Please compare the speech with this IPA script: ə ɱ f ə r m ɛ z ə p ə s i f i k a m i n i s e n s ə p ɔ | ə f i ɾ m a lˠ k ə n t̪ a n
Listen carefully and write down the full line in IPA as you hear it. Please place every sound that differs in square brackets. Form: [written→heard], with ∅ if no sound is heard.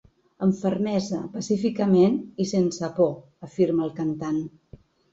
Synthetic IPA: ə ɱ f ə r m ɛ z ə p ə s i f i k [a→ə] m [i→e] n i s e n s ə p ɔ | ə f i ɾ m [a→ə] lˠ k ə n t̪ a n